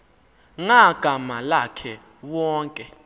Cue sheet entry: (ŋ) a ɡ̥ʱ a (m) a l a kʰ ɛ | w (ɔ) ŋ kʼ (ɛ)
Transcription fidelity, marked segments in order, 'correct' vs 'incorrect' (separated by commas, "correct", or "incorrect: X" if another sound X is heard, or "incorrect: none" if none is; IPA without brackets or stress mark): correct, correct, incorrect: ɔː, correct